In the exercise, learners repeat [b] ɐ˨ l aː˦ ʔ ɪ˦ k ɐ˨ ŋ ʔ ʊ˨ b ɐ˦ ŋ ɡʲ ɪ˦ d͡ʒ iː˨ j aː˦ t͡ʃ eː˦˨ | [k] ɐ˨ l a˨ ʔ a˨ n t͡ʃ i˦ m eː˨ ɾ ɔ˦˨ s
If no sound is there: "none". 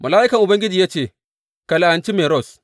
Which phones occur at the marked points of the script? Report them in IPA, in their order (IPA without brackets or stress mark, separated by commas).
m, k